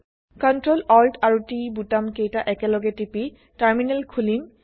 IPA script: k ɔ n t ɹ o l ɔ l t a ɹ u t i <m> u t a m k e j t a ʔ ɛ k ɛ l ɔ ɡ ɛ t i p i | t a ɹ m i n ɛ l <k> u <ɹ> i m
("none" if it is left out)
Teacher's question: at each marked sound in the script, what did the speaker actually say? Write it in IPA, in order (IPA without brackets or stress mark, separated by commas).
b, kʰ, l